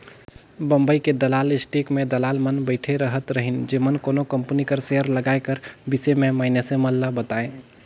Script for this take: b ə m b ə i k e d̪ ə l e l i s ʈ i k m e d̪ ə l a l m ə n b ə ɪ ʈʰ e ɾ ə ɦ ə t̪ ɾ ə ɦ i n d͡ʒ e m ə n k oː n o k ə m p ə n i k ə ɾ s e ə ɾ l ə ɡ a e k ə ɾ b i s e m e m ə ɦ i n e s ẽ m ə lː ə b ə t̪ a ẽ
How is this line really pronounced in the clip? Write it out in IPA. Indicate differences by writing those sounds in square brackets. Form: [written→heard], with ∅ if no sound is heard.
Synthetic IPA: b ə m b ə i k e d̪ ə l [e→a] l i s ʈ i k m e d̪ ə l a l m ə n b ə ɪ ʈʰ e ɾ ə ɦ ə t̪ ɾ ə ɦ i n d͡ʒ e m ə n k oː n o k ə m p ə n i k ə ɾ s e ə ɾ l ə ɡ a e k ə ɾ b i s e m e m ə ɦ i n e s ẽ m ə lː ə b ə t̪ a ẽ